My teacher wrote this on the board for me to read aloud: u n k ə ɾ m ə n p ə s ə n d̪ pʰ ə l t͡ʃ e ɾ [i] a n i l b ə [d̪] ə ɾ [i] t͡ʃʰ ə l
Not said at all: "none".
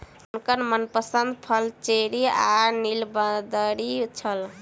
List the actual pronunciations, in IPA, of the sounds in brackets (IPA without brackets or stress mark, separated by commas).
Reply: i, d̪, i